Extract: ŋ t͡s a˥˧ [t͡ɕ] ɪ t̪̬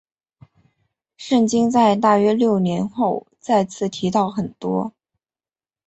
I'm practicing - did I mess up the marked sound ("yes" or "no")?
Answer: yes